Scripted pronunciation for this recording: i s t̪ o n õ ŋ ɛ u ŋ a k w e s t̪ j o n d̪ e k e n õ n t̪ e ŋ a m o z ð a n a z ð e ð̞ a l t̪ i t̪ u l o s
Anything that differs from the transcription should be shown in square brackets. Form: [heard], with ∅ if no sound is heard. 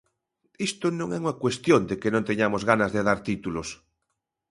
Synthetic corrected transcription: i s t̪ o n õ ŋ ɛ u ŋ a k w e s t̪ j o n d̪ e k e n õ n t̪ e [ɲ] a m o z [ɣ] a n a z ð e ð̞ a [ɾ] t̪ i t̪ u l o s